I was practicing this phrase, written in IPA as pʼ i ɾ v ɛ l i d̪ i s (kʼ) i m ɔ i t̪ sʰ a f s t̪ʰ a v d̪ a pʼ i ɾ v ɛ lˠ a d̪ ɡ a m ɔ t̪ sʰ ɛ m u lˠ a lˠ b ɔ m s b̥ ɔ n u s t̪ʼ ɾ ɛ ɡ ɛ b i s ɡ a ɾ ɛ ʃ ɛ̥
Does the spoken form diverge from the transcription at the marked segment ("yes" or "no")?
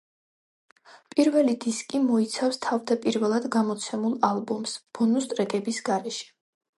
no